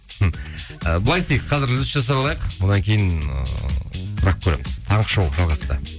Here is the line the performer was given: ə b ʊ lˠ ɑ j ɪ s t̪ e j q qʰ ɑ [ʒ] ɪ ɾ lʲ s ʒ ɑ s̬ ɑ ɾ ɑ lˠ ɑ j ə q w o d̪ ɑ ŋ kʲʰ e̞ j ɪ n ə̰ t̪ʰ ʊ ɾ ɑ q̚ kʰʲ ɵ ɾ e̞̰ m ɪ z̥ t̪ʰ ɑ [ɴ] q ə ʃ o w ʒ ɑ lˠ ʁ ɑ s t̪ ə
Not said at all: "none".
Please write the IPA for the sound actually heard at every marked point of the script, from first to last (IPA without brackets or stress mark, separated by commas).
z, ɴ